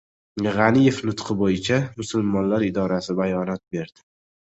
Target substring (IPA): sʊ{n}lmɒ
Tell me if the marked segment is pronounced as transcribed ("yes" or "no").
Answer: no